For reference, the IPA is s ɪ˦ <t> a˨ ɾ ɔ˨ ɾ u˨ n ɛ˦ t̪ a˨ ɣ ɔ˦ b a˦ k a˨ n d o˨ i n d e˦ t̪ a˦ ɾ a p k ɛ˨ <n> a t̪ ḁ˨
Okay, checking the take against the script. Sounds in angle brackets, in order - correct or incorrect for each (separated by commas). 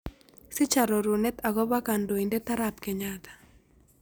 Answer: incorrect, incorrect